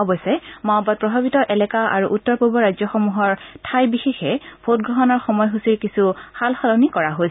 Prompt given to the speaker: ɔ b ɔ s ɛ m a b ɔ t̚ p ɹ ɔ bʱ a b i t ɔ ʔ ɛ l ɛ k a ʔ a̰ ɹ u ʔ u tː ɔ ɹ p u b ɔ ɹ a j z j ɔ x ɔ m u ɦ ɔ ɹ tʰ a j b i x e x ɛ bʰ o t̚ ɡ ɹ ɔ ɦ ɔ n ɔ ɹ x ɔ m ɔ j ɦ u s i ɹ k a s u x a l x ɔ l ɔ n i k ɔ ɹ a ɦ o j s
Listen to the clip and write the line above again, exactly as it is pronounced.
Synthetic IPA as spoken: ɔ b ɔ s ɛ m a b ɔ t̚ p ɹ ɔ bʱ a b i t ɔ ʔ ɛ l ɛ k a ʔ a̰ ɹ u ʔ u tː ɔ ɹ p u b ɔ ɹ a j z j ɔ x ɔ m u ɦ ɔ ɹ tʰ a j b i x e x ɛ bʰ o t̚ ɡ ɹ ɔ ɦ ɔ n ɔ ɹ x ɔ m ɔ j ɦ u s i ɹ k i s u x a l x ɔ l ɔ n i k ɔ ɹ a ɦ o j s